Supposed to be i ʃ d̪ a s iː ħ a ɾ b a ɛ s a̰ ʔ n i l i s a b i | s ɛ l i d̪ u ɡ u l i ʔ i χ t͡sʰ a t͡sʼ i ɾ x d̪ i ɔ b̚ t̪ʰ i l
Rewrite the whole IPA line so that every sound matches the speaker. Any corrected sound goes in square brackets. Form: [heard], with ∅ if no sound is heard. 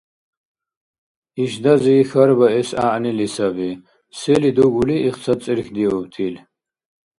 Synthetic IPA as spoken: i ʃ d̪ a [z] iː [x] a ɾ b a ɛ s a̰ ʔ n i l i s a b i | s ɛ l i d̪ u ɡ u l i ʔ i χ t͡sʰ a t͡sʼ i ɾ x d̪ i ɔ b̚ t̪ʰ i l

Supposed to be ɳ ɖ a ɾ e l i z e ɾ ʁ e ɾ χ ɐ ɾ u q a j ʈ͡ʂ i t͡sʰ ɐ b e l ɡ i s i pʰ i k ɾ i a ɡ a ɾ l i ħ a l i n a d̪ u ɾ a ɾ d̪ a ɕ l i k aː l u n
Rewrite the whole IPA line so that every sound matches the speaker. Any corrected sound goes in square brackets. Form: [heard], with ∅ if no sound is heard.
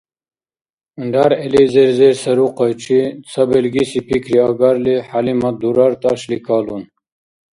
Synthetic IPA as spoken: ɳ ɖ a ɾ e l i z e ɾ [z] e ɾ [s] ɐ ɾ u q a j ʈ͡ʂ i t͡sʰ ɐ b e l ɡ i s i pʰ i k ɾ i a ɡ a ɾ l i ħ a l i [m] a d̪ u ɾ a ɾ [t̪] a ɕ l i k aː l u n

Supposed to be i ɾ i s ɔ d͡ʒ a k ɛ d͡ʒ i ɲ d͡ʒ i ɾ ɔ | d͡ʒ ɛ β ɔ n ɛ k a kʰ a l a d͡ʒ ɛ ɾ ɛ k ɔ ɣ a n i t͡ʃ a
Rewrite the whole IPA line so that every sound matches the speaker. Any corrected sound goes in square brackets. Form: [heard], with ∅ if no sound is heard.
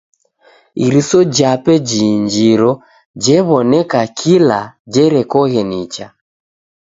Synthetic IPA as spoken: i ɾ i s ɔ d͡ʒ a [p] ɛ d͡ʒ i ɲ d͡ʒ i ɾ ɔ | d͡ʒ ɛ β ɔ n ɛ k a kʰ [i] l a d͡ʒ ɛ ɾ ɛ k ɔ ɣ [ɛ] n i t͡ʃ a

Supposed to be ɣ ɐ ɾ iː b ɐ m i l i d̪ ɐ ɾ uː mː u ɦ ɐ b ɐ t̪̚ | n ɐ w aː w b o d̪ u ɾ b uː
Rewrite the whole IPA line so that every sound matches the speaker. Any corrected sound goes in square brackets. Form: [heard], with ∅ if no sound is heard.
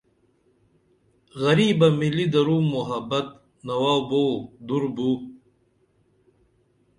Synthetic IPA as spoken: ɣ ɐ ɾ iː b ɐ m i l i d̪ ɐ ɾ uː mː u ɦ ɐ b ɐ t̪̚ | n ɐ w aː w b o d̪ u ɾ b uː

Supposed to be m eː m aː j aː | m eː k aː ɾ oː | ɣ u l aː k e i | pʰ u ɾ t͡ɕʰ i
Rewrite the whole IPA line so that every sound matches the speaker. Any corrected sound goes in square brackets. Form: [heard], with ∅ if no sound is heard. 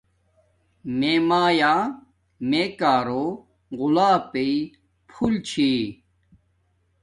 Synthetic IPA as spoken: m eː m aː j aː | m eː k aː ɾ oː | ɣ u l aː [p] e i | pʰ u [l] t͡ɕʰ i

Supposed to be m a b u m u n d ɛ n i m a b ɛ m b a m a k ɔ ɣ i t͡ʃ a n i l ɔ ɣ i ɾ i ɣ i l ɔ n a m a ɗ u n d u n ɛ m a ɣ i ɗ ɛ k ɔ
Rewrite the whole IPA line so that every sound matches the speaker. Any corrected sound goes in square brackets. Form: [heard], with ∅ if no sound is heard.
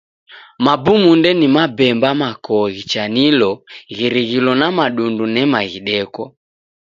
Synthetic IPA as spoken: m a b u m u n d ɛ n i m a b ɛ m b a m a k ɔ ɣ i t͡ʃ a n i l ɔ ɣ i ɾ i ɣ i l ɔ n a m a ɗ u n d u n ɛ m a ɣ i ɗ ɛ k ɔ

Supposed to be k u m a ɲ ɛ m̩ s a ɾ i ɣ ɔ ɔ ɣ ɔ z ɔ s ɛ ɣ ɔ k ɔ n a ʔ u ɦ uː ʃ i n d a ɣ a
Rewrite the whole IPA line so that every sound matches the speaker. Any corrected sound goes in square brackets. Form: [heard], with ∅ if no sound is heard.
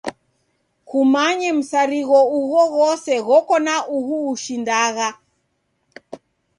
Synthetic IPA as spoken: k u m a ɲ ɛ m̩ s a ɾ i ɣ ɔ [u] ɣ ɔ [ɣ] ɔ s ɛ ɣ ɔ k ɔ n a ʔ u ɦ uː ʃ i n d a ɣ a

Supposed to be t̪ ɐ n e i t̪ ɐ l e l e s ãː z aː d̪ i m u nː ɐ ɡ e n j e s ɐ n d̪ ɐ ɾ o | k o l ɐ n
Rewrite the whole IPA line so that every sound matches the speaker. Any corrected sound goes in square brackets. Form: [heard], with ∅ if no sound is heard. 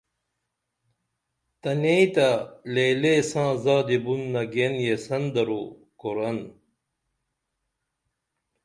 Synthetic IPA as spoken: t̪ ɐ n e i t̪ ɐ l e l e s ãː z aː d̪ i [b] u nː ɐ ɡ e n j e s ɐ n d̪ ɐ ɾ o | k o [ɾ] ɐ n

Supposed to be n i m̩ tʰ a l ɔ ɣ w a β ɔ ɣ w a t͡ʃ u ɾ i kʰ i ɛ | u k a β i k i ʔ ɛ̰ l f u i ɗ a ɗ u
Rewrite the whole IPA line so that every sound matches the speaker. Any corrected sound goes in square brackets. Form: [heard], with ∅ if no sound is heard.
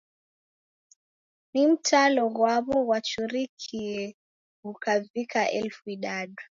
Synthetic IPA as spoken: n i m̩ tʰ a l ɔ ɣ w a β ɔ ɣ w a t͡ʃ u ɾ i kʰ i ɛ | u k a [v] i k [a] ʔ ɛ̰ l f u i ɗ a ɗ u

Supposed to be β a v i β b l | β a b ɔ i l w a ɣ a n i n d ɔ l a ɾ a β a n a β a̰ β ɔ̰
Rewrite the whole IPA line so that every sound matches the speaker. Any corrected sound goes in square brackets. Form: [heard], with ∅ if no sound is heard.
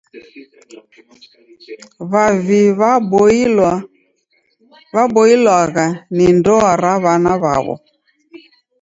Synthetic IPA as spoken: β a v i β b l | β a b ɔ i l w a ɣ a n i n d ɔ [∅] a ɾ a β a n a β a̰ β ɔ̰

